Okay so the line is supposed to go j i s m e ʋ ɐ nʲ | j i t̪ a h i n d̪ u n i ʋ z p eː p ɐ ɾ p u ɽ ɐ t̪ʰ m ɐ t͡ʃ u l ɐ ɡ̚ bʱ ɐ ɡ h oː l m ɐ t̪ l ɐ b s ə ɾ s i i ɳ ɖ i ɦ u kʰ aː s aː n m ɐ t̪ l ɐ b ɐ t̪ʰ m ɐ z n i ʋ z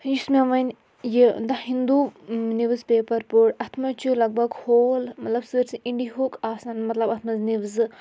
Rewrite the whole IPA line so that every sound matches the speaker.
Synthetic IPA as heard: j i s m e ʋ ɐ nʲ | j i d̪ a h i n d̪ u n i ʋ z p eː p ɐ ɾ p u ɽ ɐ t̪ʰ m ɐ t͡ʃ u l ɐ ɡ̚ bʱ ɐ ɡ h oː l m ɐ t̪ l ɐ b s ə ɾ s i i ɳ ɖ i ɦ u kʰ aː s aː n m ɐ t̪ l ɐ b ɐ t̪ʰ m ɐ z n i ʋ z